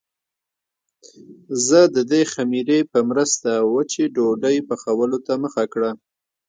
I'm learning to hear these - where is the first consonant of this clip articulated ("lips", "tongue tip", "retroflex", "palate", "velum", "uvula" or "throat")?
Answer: tongue tip